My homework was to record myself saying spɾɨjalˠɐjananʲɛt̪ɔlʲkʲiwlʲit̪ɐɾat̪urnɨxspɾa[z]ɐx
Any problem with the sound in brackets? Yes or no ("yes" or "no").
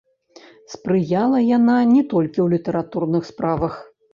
yes